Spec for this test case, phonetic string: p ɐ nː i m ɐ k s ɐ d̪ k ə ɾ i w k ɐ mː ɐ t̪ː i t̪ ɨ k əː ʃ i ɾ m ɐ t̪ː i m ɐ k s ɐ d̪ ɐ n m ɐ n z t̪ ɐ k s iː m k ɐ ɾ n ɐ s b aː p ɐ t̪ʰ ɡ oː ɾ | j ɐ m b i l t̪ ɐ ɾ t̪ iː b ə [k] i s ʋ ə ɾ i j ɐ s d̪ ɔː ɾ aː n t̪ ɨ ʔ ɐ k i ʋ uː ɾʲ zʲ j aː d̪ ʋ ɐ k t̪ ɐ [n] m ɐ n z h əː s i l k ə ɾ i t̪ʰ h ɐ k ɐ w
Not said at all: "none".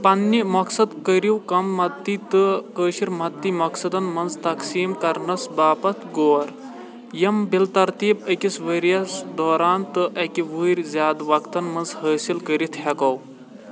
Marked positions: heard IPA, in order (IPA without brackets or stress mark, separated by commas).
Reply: k, n